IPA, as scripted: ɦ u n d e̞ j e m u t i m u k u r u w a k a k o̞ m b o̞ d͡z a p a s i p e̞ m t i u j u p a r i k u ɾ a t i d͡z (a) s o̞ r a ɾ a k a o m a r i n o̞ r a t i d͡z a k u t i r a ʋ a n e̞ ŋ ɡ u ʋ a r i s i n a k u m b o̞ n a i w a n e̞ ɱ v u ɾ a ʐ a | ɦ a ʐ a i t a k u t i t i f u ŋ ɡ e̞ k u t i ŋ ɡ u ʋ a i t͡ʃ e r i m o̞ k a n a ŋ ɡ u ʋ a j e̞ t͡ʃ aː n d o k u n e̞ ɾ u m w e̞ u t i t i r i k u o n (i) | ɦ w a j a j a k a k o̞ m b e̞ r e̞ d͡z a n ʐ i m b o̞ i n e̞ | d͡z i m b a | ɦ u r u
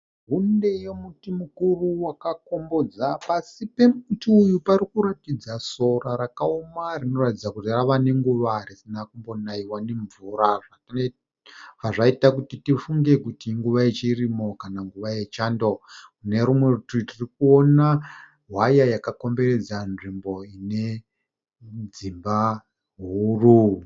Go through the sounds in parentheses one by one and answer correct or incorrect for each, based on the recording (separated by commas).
correct, incorrect